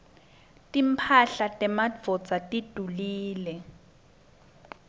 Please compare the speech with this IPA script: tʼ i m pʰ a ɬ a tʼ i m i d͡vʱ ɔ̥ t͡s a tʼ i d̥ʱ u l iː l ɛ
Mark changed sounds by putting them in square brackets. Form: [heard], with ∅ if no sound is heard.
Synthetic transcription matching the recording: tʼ i m pʰ a ɬ a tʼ [ɛ] m [a] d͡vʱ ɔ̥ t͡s a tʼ i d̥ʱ u l iː l ɛ